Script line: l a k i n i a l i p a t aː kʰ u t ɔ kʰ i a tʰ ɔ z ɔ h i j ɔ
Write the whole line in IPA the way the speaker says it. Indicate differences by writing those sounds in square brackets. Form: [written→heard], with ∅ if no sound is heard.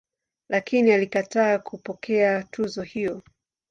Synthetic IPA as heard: l a k i n i a l i [p→k] a t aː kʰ u [t→p] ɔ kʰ [i→ɛ] a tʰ [ɔ→u] z ɔ h i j ɔ